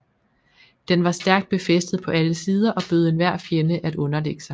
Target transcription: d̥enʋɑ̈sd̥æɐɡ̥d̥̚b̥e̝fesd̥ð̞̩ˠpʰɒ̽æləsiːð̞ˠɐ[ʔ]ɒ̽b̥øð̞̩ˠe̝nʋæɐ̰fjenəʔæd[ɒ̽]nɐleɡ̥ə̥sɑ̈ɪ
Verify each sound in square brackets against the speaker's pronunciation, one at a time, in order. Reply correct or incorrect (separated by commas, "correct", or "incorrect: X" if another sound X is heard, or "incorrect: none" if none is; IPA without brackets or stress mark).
correct, incorrect: ɔ̽